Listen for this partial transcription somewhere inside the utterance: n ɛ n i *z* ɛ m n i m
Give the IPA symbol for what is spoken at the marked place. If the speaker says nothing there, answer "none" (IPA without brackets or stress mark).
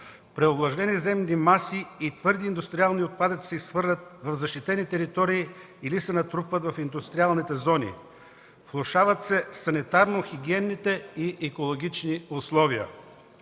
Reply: z